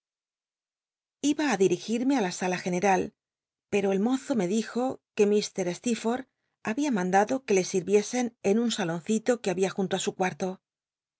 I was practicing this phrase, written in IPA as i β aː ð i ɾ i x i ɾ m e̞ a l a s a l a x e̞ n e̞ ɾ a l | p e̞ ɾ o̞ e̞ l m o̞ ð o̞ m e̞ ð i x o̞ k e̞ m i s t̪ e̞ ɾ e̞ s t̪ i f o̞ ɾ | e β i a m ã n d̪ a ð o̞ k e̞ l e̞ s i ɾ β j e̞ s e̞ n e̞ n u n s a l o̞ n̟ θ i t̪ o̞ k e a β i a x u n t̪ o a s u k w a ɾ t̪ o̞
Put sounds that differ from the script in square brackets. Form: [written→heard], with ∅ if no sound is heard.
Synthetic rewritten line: i β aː ð i ɾ i x i ɾ m e̞ a l a s a l a x e̞ n e̞ ɾ a l | p e̞ ɾ o̞ e̞ l m o̞ [ð→θ] o̞ m e̞ ð i x o̞ k e̞ m i s t̪ e̞ ɾ e̞ s t̪ i f o̞ ɾ | [e→a] β i a m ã n d̪ a ð o̞ k e̞ l e̞ s i ɾ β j e̞ s e̞ n e̞ n u n s a l o̞ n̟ θ i t̪ o̞ k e a β i a x u n t̪ o a s u k w a ɾ t̪ o̞